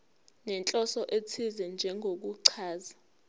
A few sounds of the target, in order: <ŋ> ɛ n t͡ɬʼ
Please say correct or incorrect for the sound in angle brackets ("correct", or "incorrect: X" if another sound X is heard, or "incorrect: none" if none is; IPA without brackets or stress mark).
incorrect: n